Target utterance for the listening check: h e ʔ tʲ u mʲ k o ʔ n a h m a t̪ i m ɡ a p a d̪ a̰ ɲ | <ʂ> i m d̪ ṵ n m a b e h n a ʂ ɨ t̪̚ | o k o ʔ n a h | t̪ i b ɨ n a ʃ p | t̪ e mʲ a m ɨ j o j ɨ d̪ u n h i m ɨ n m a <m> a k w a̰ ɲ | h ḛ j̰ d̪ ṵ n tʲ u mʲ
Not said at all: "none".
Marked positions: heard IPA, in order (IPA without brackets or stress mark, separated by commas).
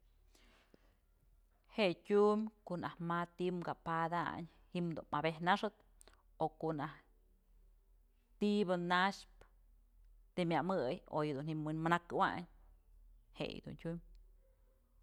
h, n